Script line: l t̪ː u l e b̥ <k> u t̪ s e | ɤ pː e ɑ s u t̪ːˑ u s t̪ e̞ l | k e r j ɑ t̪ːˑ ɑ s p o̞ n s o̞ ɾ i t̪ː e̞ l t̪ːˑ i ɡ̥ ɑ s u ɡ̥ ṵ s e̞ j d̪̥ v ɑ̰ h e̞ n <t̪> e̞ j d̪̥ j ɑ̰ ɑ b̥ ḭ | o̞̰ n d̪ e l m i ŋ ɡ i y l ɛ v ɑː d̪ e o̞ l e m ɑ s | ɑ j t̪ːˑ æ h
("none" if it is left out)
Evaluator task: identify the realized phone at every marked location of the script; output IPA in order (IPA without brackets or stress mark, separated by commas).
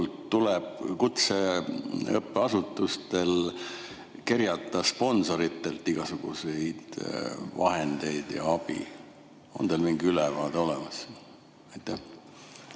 k, d̪